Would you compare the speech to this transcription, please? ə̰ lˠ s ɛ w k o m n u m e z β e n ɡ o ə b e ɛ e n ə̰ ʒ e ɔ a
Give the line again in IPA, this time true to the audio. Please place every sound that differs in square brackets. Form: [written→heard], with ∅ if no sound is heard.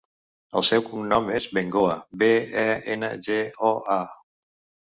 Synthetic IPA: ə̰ lˠ s ɛ w k [o→u] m n [u→ɔ] m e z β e [n→ŋ] ɡ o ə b e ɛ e n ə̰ ʒ e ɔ a